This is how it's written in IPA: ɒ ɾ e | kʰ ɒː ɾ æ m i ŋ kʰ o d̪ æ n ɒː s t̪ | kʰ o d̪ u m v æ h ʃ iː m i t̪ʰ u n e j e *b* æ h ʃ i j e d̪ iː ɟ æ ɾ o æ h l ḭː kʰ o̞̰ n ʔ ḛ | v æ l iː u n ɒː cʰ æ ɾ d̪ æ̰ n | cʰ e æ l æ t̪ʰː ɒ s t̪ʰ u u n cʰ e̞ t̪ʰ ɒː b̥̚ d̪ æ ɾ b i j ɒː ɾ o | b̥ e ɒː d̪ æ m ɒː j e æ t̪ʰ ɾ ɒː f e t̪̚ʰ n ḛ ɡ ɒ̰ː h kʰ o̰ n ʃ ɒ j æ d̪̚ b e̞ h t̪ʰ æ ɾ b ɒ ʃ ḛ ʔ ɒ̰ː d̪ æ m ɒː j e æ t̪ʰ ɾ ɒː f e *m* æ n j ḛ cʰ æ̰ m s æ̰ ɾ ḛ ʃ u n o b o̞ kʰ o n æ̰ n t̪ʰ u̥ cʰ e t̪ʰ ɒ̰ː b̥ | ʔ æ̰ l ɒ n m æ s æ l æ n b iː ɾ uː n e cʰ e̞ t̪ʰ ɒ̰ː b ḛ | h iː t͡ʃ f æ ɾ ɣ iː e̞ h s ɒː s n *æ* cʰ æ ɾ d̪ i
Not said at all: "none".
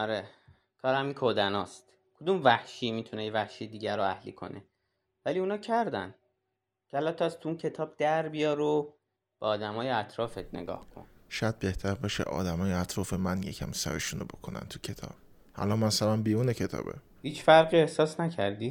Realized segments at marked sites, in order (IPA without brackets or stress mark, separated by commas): v, m, æ